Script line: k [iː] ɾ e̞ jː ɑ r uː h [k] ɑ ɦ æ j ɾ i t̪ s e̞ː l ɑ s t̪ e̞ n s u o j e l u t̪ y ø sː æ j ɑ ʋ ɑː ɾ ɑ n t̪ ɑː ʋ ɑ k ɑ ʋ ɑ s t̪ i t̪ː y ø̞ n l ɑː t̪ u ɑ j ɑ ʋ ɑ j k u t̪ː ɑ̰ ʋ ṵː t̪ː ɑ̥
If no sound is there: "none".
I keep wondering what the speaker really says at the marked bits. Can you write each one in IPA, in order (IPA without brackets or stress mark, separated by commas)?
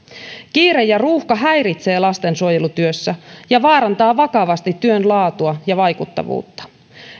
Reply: iː, k